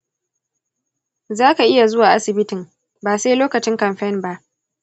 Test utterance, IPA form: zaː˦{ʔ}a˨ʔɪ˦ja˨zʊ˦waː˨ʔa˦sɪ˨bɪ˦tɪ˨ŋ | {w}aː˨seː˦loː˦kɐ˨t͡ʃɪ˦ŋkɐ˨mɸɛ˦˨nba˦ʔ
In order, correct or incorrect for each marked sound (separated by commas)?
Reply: incorrect, incorrect